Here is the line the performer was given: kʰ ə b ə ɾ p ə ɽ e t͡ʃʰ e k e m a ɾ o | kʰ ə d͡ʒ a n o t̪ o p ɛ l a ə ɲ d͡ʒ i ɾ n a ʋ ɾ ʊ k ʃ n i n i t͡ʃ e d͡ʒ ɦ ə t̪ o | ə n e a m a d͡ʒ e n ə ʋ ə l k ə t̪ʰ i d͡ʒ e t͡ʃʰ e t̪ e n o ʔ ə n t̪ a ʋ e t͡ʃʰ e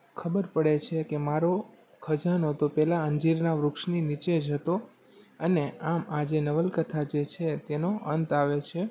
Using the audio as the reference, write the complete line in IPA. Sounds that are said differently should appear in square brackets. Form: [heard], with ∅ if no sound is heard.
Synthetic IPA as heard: kʰ ə b ə ɾ p ə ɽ e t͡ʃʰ e k e m a ɾ o | kʰ ə d͡ʒ a n o t̪ o p ɛ l a ə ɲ d͡ʒ i ɾ n a ʋ ɾ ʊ k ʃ n i n i t͡ʃ e d͡ʒ ɦ ə t̪ o | ə n e a m a d͡ʒ e n ə ʋ ə l k ə t̪ʰ [a] d͡ʒ e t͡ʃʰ e t̪ e n o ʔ ə n t̪ a ʋ e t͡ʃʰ e

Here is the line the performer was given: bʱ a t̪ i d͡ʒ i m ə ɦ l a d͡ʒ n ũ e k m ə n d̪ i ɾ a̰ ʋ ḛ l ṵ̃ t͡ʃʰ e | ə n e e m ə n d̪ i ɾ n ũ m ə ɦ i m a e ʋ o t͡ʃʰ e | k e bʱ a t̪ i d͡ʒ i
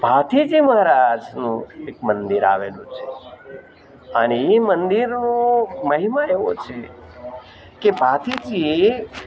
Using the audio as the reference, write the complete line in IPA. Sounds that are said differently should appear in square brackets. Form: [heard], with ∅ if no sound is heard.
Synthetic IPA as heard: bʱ a t̪ i d͡ʒ i m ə ɦ [ɾ] a d͡ʒ n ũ e k m ə n d̪ i ɾ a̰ ʋ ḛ l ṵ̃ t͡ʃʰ e | ə n e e m ə n d̪ i ɾ n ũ m ə ɦ i m a e ʋ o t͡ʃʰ e | k e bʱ a t̪ i d͡ʒ i

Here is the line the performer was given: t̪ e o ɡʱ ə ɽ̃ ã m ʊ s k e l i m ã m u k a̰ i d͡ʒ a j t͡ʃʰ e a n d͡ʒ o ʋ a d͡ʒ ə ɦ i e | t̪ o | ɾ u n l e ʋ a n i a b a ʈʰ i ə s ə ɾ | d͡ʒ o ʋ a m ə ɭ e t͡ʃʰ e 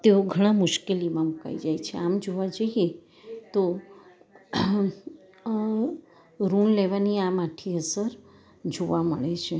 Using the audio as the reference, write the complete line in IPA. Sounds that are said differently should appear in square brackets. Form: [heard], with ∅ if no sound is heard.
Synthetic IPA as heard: t̪ e o ɡʱ ə ɽ̃ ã m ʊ [ʃ] k e l i m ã m u k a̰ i d͡ʒ a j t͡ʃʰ e a [m] d͡ʒ o ʋ a d͡ʒ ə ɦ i e | t̪ o | ɾ u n l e ʋ a n i a [m] a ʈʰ i ə s ə ɾ | d͡ʒ o ʋ a m ə ɭ e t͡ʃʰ e

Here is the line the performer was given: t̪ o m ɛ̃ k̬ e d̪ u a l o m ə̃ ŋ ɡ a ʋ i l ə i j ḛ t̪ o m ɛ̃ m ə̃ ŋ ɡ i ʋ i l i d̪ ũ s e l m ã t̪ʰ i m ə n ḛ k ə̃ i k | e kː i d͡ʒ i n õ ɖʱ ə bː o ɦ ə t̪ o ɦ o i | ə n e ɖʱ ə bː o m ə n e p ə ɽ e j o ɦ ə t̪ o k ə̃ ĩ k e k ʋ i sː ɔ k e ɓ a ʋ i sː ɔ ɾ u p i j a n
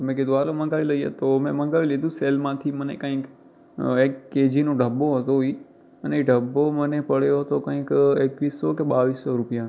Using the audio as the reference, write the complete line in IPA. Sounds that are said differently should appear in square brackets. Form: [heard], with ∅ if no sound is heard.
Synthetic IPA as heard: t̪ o m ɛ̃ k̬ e d̪ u a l o m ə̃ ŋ ɡ a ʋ i l ə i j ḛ t̪ o m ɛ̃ m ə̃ ŋ ɡ [a] ʋ i l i d̪ ũ s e l m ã t̪ʰ i m ə n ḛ k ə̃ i k | e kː [e] d͡ʒ i n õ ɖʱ ə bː o ɦ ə t̪ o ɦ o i | ə n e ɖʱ ə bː o m ə n e p ə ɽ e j o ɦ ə t̪ o k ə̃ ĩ k e k ʋ i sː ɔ k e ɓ a ʋ i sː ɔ ɾ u p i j a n

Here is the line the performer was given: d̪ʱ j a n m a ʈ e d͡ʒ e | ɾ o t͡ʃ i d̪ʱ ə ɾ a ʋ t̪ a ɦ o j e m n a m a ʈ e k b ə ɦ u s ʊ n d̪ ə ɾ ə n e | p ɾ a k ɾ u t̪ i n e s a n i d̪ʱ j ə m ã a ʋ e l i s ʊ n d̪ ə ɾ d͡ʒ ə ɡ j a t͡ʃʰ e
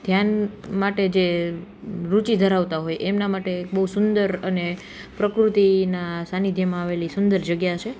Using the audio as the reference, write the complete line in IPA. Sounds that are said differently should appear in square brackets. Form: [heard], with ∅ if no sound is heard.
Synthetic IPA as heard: d̪ʱ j a n m a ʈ e d͡ʒ e | ɾ [u] t͡ʃ i d̪ʱ ə ɾ a ʋ t̪ a ɦ o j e m n a m a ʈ e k b ə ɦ u s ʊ n d̪ ə ɾ ə n e | p ɾ [ə] k ɾ u t̪ i n [a] s a n i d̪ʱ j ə m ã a ʋ e l i s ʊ n d̪ ə ɾ d͡ʒ ə ɡ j a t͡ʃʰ e

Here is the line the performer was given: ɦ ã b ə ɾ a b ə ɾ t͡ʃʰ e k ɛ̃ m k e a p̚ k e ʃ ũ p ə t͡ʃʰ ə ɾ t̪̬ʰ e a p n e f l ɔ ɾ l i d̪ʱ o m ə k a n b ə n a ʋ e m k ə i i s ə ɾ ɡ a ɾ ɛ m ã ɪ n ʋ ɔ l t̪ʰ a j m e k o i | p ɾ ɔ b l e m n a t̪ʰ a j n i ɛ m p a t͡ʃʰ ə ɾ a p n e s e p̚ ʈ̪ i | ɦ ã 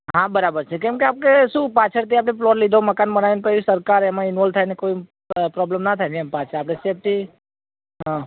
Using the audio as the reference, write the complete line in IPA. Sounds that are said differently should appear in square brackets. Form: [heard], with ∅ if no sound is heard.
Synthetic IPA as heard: ɦ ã b ə ɾ a b ə ɾ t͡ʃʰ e k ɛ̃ m k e a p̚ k e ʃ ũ p [a] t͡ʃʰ ə ɾ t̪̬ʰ [i] a p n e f l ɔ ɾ l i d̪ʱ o m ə k a n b ə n a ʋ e [n] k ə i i s ə ɾ [k] a ɾ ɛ m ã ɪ n ʋ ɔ l t̪ʰ a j [n] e k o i | p ɾ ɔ b l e m n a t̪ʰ a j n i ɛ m p a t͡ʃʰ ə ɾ a p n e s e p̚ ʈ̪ i | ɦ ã

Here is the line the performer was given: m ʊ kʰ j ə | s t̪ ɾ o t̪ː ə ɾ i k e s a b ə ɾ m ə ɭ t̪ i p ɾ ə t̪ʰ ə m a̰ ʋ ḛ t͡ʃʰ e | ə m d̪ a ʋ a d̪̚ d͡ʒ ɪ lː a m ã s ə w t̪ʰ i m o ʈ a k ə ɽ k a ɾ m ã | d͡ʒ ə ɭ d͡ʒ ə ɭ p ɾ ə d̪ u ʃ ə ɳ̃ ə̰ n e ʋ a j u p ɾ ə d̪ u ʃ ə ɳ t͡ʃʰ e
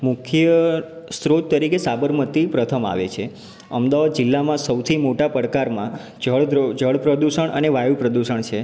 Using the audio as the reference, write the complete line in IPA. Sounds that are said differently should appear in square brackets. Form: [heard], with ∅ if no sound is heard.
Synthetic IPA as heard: m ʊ kʰ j ə | s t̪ ɾ o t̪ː ə ɾ i k e s a b ə ɾ m ə [∅] t̪ i p ɾ ə t̪ʰ ə m a̰ ʋ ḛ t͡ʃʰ e | ə m d̪ a ʋ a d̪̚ d͡ʒ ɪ lː a m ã s ə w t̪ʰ i m o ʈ a [p] ə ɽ k a ɾ m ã | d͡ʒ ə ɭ d͡ʒ ə ɭ p ɾ ə d̪ u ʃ ə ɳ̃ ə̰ n e ʋ a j u p ɾ ə d̪ u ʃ ə ɳ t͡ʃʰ e

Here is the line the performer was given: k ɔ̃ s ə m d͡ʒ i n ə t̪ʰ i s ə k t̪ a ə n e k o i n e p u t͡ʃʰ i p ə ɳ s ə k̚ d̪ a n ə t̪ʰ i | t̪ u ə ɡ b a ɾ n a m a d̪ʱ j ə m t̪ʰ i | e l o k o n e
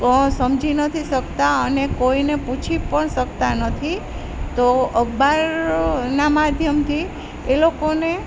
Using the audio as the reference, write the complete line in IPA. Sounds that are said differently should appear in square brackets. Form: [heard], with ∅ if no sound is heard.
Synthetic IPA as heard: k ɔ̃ s ə m d͡ʒ i n ə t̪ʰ i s ə k t̪ a ə n e k o i n e p u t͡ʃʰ i p ə ɳ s ə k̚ [t̪] a n ə t̪ʰ i | t̪ [o] ə ɡ b a ɾ n a m a d̪ʱ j ə m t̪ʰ i | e l o k o n e

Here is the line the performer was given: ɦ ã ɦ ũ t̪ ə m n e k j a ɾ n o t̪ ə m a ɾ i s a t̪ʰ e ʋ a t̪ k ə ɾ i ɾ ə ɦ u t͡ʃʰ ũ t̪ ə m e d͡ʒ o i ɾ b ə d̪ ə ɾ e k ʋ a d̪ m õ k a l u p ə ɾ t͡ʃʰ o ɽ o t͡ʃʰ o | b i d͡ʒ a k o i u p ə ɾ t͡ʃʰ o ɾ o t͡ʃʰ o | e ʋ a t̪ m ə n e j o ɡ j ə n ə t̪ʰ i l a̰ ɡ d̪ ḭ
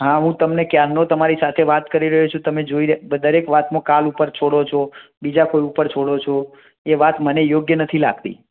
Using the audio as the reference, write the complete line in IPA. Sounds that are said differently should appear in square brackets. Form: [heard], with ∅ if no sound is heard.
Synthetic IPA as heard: ɦ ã ɦ ũ t̪ ə m n e k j a ɾ n o t̪ ə m a ɾ i s a t̪ʰ e ʋ a t̪ k ə ɾ i ɾ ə ɦ u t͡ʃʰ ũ t̪ ə m e d͡ʒ o i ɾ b ə d̪ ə ɾ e k ʋ a [t̪] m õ k a l u p ə ɾ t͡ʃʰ o ɽ o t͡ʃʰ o | b i d͡ʒ a k o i u p ə ɾ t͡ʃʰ o [ɽ] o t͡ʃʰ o | e ʋ a t̪ m ə n e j o ɡ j ə n ə t̪ʰ i l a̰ ɡ [t̪] ḭ

